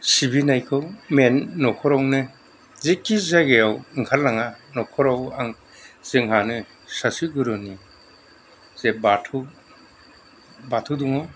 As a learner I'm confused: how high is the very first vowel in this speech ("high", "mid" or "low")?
high